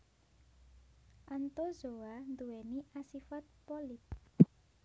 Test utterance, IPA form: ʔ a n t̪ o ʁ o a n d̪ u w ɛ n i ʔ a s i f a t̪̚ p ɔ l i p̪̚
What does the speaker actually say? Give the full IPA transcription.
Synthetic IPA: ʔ a n t̪ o z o a n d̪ u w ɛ n i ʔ a s i f a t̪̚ p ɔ l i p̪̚